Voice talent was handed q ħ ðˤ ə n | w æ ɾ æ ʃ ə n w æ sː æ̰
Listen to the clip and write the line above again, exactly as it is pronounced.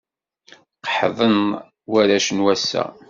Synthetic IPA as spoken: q ħ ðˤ ə n | w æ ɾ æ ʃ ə n w æ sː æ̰